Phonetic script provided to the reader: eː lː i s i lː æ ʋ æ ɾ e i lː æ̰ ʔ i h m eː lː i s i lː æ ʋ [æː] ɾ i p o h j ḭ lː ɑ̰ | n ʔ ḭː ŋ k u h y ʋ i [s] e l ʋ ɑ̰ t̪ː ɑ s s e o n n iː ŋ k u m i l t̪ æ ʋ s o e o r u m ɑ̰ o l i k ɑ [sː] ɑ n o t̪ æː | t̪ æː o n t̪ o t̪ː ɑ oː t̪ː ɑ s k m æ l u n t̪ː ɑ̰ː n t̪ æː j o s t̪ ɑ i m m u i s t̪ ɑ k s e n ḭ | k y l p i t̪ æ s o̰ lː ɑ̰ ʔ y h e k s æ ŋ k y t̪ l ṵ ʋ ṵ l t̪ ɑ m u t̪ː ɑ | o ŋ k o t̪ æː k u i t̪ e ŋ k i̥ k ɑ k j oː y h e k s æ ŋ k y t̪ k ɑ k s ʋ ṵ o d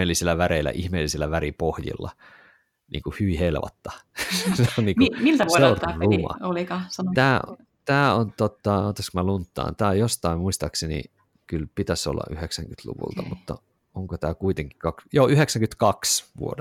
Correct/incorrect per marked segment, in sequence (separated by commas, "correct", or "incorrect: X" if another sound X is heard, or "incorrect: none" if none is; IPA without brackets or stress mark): incorrect: æ, incorrect: h, incorrect: s